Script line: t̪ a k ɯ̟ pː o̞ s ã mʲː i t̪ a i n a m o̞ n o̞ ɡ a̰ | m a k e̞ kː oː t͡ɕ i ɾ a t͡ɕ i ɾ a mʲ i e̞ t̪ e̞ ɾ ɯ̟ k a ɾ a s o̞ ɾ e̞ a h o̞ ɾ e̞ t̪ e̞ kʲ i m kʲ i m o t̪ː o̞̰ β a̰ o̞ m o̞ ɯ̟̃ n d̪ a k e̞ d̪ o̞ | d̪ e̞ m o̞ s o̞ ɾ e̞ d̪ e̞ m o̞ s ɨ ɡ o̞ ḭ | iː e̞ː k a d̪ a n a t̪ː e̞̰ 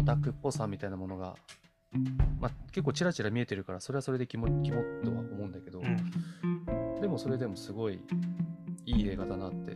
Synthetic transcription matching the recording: t̪ a k ɯ̟ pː o̞ s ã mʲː i t̪ a i n a m o̞ n o̞ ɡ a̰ | m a k e̞ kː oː t͡ɕ i ɾ a t͡ɕ i ɾ a mʲ i e̞ t̪ e̞ ɾ ɯ̟ k a ɾ a s o̞ ɾ e̞ a s o̞ ɾ e̞ d̪ e̞ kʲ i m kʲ i m o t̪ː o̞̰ β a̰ o̞ m o̞ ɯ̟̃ n d̪ a k e̞ d̪ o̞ | d̪ e̞ m o̞ s o̞ ɾ e̞ d̪ e̞ m o̞ s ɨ ɡ o̞ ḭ | iː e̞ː ɡ a d̪ a n a t̪ː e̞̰